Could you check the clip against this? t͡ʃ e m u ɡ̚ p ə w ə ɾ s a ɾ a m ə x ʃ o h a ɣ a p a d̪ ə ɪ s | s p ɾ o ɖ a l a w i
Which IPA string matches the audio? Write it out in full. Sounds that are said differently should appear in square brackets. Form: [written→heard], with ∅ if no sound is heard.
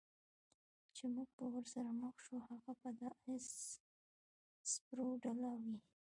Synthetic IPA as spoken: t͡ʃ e m u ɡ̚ p ə w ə ɾ s a ɾ a m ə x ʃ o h a ɣ a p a d̪ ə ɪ s | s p ɾ o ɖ a l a w i